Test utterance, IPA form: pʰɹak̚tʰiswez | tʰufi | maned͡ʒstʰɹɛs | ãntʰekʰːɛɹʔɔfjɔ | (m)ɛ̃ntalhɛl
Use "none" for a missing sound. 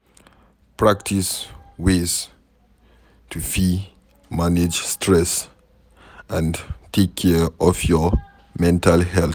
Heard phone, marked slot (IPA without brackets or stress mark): m